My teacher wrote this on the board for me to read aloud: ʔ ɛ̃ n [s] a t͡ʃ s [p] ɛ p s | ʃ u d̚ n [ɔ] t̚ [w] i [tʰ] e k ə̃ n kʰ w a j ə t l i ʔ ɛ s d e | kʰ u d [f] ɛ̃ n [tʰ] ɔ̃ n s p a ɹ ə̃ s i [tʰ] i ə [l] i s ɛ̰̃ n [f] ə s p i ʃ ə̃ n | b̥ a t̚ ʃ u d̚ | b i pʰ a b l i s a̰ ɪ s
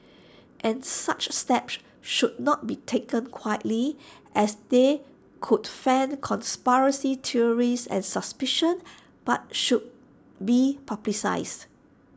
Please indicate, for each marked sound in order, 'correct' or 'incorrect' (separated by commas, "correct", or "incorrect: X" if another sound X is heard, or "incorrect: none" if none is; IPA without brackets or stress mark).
correct, incorrect: t, correct, incorrect: b, correct, correct, incorrect: kʰ, correct, incorrect: ɹ, incorrect: s